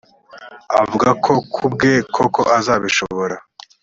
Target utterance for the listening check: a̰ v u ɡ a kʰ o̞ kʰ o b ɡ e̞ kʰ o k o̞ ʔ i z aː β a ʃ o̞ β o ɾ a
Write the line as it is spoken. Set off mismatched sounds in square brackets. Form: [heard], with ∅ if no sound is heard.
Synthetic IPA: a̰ v u ɡ a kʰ o̞ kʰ [u] b ɡ e̞ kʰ o k o̞ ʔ [a] z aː β [i] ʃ o̞ β o ɾ a